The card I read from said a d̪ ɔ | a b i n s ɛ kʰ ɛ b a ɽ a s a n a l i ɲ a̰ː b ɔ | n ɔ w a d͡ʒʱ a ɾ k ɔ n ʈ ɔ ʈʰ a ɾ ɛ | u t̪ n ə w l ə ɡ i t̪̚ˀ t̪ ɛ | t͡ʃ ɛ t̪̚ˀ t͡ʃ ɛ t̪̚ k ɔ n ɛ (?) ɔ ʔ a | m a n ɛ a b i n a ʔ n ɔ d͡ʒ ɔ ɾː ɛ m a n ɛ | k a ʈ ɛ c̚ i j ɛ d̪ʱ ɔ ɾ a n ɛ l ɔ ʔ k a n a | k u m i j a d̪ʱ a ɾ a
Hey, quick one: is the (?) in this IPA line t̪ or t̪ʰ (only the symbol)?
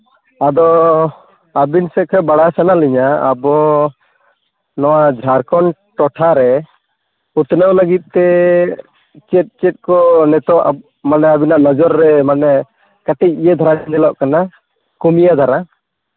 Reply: t̪